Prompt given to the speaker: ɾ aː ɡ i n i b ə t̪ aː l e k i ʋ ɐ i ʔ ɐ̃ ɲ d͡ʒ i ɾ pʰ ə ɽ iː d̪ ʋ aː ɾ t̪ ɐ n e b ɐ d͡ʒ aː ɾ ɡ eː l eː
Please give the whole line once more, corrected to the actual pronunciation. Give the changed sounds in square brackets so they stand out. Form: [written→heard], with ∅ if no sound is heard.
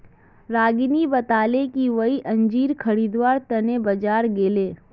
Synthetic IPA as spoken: ɾ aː ɡ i n i b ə t̪ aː l e k i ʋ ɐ i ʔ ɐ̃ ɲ d͡ʒ [i→iː] ɾ [pʰ→kʰ] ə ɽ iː d̪ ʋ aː ɾ t̪ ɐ n e b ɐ d͡ʒ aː ɾ ɡ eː l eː